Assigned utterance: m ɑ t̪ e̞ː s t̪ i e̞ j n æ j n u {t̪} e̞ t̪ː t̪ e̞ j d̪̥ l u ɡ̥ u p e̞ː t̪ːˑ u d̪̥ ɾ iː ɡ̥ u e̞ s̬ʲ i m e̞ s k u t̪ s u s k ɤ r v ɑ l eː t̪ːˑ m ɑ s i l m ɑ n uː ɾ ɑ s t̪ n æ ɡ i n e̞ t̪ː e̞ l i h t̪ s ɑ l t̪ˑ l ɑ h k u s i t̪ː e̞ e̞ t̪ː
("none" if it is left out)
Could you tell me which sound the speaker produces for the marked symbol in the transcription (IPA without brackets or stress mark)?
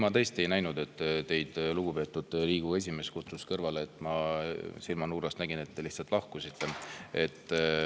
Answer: d̪